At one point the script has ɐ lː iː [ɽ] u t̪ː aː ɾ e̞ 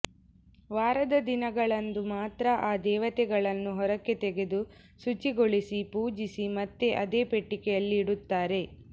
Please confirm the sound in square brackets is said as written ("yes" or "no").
yes